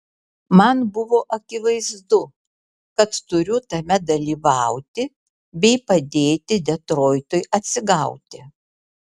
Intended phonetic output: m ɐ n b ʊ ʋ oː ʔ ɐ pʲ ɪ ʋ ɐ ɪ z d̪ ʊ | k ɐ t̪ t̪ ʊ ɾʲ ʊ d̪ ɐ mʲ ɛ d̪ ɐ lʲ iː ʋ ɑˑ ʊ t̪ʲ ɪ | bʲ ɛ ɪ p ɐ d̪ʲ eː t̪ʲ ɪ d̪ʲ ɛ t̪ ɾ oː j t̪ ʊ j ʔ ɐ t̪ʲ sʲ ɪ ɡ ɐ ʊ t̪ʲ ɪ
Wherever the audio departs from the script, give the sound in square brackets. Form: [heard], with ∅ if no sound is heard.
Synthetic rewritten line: m ɐ n b ʊ ʋ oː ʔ ɐ [kʲ] ɪ ʋ ɐ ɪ z d̪ ʊ | k ɐ t̪ t̪ ʊ ɾʲ ʊ [t̪] ɐ mʲ ɛ d̪ ɐ lʲ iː ʋ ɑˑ ʊ t̪ʲ ɪ | bʲ ɛ ɪ p ɐ d̪ʲ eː t̪ʲ ɪ d̪ʲ ɛ t̪ ɾ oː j t̪ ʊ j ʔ ɐ t̪ʲ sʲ ɪ ɡ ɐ ʊ t̪ʲ ɪ